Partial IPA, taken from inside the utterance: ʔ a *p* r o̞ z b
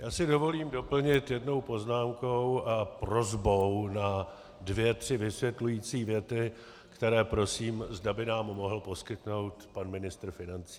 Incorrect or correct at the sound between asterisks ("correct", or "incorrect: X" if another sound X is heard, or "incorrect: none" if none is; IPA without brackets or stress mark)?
correct